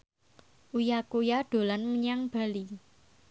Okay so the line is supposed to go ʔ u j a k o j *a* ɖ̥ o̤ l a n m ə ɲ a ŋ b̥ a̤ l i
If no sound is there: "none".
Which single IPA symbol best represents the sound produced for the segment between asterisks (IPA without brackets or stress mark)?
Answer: a